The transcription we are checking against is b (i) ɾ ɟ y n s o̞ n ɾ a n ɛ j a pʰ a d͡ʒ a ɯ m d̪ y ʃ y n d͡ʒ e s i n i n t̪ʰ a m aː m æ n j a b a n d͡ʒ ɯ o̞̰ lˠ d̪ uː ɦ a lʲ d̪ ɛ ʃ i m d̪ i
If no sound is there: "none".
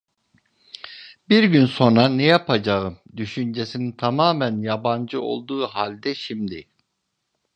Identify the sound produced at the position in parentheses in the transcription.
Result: i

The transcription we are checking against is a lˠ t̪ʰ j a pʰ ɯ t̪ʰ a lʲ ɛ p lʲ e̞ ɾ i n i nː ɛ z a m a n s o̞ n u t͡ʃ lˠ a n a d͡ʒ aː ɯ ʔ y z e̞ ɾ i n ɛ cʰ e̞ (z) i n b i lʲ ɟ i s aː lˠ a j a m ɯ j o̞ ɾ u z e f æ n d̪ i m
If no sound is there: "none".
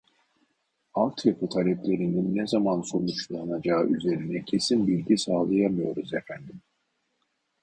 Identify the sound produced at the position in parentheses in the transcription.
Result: s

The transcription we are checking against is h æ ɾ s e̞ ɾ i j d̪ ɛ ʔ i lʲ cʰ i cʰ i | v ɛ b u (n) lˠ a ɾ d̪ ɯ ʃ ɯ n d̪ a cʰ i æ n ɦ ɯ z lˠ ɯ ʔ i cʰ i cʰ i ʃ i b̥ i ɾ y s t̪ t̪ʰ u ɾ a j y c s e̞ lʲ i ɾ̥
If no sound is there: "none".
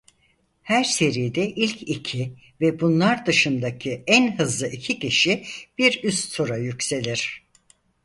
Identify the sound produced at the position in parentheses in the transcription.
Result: n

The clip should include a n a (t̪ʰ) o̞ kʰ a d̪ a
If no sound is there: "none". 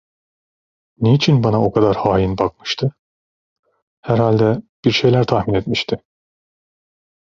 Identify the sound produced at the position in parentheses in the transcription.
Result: none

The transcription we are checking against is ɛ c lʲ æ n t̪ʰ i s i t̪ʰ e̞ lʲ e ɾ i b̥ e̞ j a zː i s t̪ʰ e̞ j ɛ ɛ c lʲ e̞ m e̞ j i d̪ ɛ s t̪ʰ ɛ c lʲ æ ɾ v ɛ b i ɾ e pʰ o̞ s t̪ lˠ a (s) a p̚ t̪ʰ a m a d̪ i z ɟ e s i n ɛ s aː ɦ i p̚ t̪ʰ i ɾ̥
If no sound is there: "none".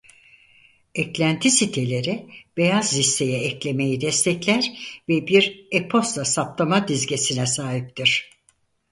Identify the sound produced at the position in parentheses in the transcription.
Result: s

